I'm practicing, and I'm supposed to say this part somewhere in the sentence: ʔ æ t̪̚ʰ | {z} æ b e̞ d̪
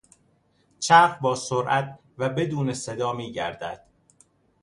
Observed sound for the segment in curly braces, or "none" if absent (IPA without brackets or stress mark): v